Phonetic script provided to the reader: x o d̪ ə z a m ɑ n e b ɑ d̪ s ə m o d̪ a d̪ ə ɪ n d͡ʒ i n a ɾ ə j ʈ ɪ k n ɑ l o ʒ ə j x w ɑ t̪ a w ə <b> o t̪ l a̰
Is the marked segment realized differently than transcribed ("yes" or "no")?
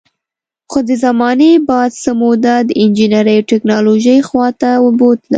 no